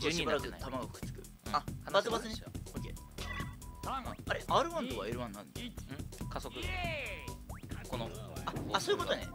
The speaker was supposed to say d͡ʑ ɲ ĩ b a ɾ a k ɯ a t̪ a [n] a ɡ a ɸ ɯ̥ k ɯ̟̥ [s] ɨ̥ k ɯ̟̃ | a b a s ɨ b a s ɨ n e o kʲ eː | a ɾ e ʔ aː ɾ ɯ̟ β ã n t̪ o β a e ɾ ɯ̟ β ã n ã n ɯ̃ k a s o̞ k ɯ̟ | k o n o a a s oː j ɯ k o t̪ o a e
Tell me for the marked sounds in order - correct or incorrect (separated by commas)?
incorrect, incorrect